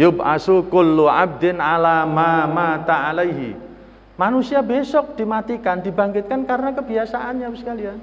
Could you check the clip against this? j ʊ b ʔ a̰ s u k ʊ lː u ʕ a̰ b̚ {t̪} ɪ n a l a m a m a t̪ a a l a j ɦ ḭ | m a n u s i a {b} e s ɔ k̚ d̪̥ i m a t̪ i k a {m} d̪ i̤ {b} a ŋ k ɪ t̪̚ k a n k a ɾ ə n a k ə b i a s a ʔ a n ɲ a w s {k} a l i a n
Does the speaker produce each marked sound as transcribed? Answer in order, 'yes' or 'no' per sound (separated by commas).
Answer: no, yes, no, yes, yes